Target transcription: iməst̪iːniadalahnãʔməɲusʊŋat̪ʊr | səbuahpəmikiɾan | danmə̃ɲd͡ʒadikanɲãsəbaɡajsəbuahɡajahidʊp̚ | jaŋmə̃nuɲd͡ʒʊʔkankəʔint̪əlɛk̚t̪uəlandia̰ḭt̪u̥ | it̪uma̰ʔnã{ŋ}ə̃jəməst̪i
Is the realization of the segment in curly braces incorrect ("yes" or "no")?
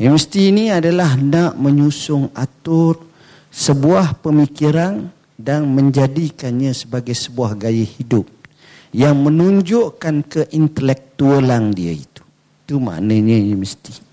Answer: yes